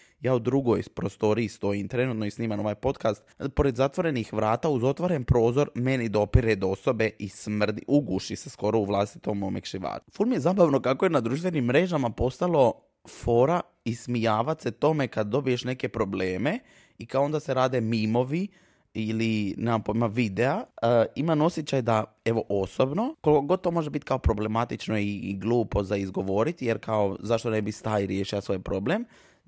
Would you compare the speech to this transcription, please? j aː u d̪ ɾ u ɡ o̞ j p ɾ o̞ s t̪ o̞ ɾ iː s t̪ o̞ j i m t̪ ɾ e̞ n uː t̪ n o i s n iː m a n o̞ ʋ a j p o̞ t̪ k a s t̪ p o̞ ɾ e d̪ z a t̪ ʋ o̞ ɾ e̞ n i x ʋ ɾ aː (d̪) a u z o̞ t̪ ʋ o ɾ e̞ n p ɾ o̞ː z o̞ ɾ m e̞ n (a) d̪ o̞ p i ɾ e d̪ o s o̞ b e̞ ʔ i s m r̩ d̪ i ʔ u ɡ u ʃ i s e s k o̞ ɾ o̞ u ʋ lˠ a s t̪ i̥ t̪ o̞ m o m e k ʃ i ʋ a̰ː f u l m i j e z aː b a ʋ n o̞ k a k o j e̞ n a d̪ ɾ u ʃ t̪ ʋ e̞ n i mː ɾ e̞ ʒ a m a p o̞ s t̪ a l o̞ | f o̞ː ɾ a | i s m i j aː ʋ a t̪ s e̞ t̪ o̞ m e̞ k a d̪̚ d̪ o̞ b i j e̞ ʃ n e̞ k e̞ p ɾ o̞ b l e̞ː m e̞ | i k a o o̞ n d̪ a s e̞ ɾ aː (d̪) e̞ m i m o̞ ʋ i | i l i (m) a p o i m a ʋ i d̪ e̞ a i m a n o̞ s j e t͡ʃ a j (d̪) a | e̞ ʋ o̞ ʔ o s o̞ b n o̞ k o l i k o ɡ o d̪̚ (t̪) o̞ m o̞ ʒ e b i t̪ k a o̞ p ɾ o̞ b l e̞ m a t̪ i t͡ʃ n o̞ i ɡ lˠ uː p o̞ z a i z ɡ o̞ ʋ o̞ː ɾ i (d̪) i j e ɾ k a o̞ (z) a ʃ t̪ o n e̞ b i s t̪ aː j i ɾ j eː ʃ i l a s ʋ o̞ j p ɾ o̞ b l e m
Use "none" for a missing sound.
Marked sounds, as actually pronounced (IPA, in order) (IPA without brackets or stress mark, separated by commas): t̪, i, d̪, n, d̪, t̪, t̪, z